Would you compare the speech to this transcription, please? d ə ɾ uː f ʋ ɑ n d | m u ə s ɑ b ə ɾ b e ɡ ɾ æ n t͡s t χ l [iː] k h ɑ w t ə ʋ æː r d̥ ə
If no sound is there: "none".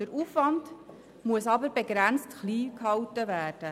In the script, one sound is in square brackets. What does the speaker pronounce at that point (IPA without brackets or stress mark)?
iː